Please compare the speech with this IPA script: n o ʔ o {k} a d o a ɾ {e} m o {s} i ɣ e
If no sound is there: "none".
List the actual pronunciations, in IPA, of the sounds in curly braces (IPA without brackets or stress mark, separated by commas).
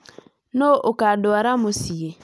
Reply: k, a, s